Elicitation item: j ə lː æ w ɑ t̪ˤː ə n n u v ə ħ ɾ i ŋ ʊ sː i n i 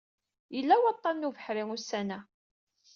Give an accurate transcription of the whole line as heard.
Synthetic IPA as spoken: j ə lː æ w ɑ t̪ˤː ɑ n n u v ə ħ ɾ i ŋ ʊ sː æ n æ

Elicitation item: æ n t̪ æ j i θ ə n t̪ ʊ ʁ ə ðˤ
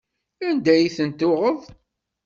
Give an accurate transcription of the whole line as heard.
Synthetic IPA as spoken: æ n d̪ æ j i θ ə n t̪ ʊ ʁ ə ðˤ

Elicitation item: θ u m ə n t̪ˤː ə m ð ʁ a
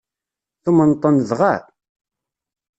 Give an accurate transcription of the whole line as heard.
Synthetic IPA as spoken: θ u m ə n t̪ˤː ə n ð ʁ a

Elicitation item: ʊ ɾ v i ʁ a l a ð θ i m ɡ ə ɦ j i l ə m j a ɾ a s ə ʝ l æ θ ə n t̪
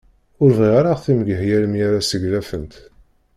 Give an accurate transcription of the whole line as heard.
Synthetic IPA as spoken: ʊ ɾ v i ʁ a ɾ a ʁ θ i m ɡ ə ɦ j æ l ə m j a ɾ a s ə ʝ l æ f ə n t̪

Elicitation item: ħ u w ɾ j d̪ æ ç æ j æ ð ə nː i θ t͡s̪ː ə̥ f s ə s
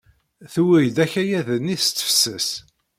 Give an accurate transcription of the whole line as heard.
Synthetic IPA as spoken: θ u w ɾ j d̪ æ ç æ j æ ð ə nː i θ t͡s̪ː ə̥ f s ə s

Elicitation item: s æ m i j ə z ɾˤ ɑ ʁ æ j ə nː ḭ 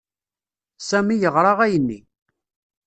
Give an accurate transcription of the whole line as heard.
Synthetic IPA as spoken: s æ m i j ə ʁ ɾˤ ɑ ʁ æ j ə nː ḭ

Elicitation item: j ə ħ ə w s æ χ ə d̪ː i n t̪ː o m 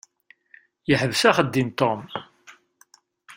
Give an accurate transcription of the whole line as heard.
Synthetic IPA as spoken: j ə ħ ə v s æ χ ə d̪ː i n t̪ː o m

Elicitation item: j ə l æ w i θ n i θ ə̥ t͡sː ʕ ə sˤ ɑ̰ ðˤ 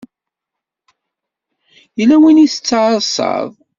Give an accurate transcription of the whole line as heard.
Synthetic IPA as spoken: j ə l æ w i n i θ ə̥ t͡sː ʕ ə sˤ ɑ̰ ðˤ

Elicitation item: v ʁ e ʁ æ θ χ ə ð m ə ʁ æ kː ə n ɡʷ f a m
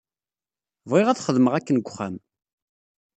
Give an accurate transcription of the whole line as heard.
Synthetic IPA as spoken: v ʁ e ʁ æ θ χ ə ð m ə ʁ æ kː ə n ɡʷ χ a m

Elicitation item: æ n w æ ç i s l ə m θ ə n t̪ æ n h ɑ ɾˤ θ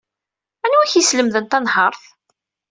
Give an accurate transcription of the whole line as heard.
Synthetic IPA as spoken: æ n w æ ç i s l ə m ð ə n t̪ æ n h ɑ ɾˤ θ

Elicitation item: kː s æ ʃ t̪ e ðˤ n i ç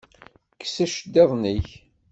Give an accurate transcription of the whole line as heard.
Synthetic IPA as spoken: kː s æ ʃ d̪ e ðˤ n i ç

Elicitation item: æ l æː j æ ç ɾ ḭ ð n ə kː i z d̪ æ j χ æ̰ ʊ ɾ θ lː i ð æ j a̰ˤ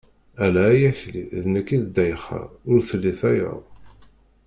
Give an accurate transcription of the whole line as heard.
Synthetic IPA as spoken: æ l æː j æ ç l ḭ ð n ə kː i ð d̪ æ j χ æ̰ ʊ ɾ θ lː i θ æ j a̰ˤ

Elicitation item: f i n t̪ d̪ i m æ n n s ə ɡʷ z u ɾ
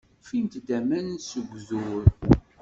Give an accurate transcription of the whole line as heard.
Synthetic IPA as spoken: f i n t̪ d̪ æ m æ n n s ə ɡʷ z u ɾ

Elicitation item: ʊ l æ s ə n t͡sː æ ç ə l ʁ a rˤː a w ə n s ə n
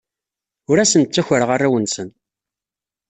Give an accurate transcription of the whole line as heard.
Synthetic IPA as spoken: ʊ ɾ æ s ə n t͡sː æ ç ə ɾ ʁ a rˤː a w ə n s ə n

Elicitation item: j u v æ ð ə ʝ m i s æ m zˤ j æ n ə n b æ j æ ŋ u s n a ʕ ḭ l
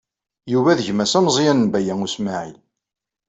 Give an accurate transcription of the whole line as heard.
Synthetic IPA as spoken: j u v æ ð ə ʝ m æ s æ m zˤ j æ n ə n b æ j æ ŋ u s m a ʕ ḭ l

